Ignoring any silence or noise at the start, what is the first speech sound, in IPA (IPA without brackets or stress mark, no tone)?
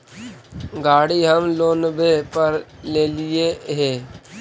ɡ